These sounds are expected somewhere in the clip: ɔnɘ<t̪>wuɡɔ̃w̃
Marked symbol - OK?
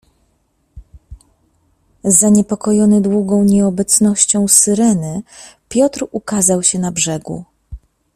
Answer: no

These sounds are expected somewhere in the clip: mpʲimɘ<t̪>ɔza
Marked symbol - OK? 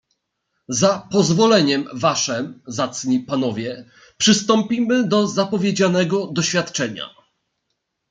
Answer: no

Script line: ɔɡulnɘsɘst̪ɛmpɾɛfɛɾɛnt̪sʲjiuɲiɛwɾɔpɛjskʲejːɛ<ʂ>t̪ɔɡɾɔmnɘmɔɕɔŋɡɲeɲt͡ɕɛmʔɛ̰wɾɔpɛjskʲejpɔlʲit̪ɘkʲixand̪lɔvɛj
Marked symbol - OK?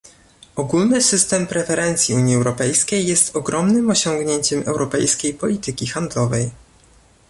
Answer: no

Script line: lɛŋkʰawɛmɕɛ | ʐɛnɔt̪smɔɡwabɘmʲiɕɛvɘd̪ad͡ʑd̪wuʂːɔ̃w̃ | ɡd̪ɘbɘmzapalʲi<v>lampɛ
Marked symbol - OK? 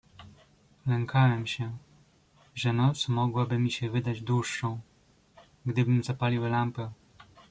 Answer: no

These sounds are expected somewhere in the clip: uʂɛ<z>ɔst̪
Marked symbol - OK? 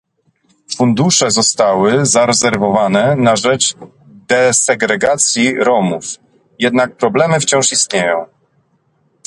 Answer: yes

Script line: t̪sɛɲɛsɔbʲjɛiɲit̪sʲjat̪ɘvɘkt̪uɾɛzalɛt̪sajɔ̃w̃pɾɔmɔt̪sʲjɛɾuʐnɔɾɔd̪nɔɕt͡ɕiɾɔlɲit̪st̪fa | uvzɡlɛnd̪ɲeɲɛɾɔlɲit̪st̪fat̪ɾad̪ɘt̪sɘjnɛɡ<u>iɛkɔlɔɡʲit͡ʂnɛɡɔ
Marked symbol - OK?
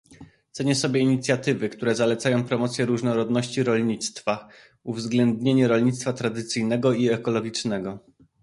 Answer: no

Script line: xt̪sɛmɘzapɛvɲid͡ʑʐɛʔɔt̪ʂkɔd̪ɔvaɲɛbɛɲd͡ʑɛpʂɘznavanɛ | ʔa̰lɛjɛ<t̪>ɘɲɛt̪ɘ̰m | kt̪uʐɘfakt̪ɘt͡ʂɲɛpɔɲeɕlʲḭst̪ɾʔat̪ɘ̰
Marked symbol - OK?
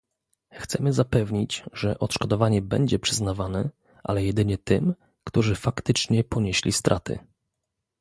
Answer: no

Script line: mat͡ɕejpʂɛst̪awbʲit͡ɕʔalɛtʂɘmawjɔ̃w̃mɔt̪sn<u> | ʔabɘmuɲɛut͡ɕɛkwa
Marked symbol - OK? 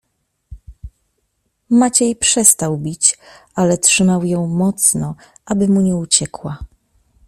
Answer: no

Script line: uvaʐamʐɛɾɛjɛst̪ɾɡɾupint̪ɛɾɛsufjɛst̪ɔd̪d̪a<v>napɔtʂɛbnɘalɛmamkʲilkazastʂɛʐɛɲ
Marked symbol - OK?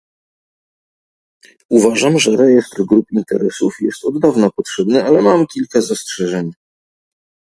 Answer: yes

